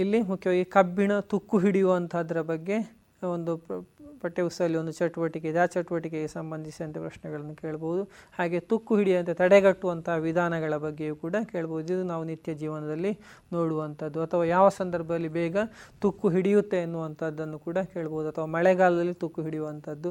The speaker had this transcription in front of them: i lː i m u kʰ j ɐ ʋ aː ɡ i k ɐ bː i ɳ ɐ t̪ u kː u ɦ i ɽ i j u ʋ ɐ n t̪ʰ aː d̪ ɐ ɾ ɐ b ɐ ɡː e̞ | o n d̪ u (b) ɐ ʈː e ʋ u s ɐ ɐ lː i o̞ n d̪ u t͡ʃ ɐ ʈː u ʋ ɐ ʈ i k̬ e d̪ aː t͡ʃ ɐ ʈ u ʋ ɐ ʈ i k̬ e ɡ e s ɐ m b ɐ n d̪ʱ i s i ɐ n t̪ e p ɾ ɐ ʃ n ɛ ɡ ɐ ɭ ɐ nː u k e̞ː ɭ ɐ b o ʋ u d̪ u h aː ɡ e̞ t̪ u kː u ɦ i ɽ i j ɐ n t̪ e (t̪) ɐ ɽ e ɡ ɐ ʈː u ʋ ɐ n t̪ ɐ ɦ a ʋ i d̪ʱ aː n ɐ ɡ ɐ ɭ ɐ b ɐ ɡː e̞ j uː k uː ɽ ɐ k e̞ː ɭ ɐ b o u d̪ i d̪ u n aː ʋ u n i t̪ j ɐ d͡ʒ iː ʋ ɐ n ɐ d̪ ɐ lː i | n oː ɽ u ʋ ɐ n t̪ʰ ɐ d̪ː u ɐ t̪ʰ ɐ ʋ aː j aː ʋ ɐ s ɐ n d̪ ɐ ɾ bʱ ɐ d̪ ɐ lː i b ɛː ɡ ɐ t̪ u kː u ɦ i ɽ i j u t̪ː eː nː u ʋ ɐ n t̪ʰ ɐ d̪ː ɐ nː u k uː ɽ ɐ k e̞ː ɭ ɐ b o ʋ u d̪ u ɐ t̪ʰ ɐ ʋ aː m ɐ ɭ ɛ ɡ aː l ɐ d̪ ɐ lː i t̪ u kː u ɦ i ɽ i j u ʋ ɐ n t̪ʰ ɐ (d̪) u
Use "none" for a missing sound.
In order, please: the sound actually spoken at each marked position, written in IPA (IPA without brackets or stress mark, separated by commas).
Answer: p, t̪, d̪ː